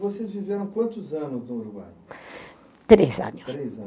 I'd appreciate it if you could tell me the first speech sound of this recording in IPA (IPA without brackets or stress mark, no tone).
v